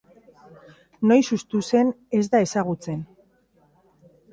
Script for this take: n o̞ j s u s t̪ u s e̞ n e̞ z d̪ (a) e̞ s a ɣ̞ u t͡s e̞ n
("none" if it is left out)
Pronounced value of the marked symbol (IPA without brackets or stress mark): a